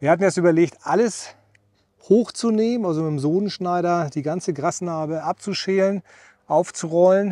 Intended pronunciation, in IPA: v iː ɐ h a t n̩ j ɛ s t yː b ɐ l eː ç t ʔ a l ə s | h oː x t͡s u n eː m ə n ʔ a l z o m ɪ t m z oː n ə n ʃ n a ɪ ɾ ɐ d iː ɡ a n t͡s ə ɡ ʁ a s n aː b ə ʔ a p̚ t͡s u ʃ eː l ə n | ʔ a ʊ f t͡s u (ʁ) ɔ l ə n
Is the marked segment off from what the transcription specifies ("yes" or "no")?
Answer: no